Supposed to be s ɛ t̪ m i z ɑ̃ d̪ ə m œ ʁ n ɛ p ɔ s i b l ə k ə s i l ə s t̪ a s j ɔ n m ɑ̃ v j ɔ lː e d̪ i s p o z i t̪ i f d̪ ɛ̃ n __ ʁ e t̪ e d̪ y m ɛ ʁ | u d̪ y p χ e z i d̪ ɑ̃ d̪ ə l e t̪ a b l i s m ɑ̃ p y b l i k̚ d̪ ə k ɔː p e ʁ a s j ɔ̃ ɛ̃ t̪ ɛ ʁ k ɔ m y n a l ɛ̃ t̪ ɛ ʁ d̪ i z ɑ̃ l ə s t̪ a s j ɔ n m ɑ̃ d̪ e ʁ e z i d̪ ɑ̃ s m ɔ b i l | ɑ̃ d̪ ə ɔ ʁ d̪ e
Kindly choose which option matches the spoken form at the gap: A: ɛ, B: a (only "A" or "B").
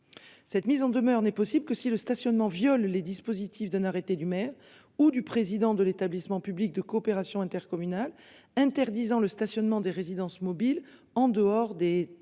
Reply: B